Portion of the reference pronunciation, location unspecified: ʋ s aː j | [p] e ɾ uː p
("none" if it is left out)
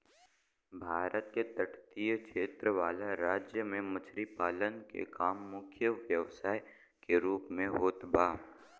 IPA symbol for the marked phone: k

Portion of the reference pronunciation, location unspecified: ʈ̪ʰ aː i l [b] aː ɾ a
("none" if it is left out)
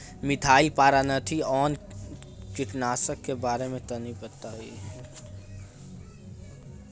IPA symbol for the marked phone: p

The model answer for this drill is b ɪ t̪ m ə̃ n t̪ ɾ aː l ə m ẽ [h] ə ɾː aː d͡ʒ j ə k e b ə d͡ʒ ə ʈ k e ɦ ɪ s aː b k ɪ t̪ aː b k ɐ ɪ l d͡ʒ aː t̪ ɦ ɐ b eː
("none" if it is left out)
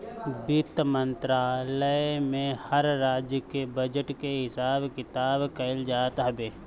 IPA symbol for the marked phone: h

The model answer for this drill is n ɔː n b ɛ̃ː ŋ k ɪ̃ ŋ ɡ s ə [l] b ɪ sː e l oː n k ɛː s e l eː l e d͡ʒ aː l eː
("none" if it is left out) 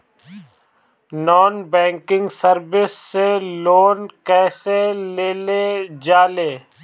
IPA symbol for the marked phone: ɾ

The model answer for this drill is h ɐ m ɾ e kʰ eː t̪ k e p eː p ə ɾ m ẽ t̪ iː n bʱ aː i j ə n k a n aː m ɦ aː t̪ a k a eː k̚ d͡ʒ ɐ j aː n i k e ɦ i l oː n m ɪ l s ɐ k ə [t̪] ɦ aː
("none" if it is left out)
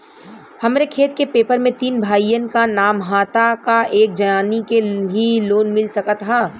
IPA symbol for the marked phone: t̪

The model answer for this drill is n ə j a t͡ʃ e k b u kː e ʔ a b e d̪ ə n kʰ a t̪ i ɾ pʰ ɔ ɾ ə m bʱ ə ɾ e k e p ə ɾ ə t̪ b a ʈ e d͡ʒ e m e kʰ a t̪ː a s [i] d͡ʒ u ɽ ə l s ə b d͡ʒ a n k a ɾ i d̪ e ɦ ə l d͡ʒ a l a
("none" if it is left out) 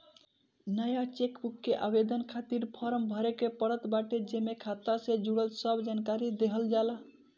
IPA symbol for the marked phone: e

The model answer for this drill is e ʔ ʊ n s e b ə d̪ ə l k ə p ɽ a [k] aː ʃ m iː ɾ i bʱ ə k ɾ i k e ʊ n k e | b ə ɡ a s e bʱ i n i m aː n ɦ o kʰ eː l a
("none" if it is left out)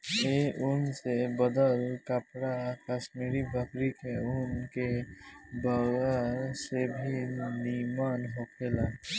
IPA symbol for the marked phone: k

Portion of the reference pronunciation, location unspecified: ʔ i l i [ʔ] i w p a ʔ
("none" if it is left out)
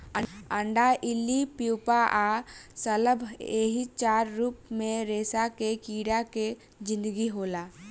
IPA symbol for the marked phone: p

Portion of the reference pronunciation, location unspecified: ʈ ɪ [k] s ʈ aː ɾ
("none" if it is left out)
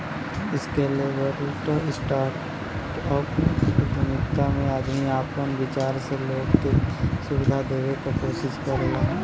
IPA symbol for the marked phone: none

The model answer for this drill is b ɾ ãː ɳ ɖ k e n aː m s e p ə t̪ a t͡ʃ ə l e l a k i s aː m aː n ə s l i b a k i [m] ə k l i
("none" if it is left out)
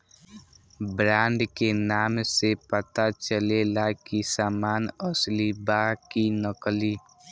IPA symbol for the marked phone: n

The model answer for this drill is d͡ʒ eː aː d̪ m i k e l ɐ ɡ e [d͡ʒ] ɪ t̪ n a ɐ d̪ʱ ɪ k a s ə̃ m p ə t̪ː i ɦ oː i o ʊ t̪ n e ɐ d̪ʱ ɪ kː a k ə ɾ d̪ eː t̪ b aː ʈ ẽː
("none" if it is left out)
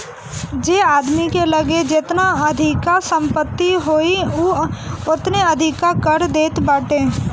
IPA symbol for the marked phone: d͡ʒ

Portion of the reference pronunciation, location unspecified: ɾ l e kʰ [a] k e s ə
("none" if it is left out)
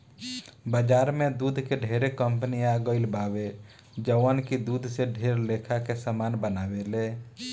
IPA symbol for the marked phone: a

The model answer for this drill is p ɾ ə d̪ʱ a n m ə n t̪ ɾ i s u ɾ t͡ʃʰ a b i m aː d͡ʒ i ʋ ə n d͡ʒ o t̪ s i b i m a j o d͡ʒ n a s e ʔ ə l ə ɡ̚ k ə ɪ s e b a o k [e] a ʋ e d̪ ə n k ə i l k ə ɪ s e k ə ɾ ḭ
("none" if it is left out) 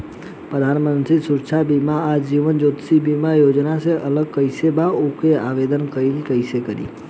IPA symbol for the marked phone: e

